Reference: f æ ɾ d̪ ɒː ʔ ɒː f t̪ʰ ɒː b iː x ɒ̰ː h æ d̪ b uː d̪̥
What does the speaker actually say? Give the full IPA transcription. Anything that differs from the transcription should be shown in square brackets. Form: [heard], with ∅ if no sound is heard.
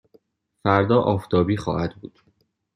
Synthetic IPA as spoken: f æ ɾ d̪ ɒː ʔ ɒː f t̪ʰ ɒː b iː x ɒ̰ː h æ d̪ b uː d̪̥